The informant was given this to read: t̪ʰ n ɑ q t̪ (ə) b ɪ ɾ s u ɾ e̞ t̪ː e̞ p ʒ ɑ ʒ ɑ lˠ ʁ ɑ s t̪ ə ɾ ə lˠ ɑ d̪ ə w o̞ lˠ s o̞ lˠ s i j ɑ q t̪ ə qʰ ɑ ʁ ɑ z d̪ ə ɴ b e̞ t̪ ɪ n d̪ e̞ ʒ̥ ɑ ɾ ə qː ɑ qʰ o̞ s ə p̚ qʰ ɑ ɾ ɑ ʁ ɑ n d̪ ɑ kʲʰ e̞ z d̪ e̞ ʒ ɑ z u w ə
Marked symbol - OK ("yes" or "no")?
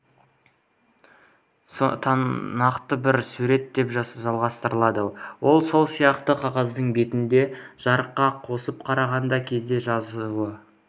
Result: yes